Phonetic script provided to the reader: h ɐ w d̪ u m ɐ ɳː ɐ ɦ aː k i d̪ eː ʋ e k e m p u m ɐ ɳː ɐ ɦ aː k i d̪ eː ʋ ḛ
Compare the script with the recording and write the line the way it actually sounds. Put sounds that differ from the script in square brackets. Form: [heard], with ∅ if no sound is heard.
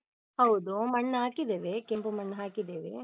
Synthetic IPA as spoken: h ɐ w d̪ u m ɐ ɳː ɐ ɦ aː k i d̪ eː ʋ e k e m p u m ɐ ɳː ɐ ɦ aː k i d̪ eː ʋ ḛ